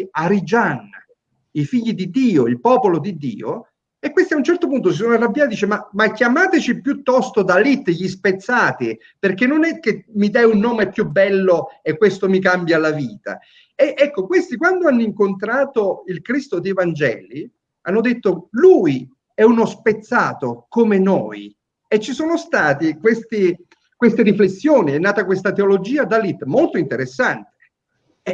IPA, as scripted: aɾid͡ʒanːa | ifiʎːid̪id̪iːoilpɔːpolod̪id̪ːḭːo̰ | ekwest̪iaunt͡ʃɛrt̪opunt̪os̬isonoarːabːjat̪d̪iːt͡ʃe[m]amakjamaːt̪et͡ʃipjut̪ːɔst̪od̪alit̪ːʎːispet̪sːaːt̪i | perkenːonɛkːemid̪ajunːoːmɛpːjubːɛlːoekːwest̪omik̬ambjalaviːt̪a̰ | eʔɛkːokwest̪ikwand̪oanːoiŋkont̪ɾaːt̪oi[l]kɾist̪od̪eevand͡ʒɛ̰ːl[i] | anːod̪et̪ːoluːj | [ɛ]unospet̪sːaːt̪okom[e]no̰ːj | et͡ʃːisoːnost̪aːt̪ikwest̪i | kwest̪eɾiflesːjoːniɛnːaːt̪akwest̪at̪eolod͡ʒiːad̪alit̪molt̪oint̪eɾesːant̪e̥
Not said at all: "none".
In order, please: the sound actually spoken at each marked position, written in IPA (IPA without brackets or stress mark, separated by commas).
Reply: m, l, i, ɛ, e